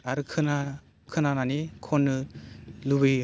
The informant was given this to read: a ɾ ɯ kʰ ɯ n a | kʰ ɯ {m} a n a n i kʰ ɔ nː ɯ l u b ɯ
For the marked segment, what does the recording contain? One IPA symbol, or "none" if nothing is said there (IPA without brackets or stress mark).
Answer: n